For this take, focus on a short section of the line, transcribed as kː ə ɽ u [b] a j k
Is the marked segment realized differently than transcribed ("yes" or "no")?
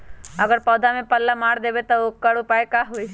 yes